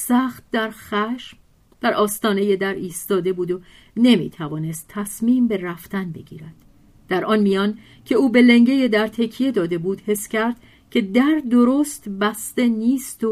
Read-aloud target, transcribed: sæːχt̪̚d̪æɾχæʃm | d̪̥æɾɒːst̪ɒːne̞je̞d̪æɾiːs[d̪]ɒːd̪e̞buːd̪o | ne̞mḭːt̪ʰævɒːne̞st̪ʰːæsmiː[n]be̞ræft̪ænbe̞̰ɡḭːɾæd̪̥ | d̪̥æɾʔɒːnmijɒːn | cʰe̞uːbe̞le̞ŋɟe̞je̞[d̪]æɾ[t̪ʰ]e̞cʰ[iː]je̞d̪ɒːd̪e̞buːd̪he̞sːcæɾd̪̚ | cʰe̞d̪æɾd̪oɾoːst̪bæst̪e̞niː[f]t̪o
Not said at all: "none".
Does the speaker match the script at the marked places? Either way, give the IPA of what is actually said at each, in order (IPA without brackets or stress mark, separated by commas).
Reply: t̪, m, d̪, t̪ʰ, i, s